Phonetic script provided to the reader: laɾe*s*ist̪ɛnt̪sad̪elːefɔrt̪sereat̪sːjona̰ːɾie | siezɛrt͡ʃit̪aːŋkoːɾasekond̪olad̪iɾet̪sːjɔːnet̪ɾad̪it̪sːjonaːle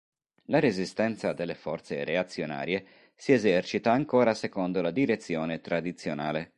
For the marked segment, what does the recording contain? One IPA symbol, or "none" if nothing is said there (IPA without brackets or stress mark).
z